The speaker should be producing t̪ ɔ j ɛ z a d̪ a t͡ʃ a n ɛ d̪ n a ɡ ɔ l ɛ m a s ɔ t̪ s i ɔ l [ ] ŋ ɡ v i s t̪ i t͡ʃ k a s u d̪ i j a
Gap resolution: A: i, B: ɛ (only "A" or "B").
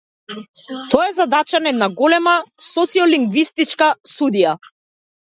A